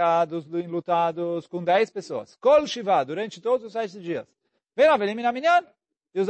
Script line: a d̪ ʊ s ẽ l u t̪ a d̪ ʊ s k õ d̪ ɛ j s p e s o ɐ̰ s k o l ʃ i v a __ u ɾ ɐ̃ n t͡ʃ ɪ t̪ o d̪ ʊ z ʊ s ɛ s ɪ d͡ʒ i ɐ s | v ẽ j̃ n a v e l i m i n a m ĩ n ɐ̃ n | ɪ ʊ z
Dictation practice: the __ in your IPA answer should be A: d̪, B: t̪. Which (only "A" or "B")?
A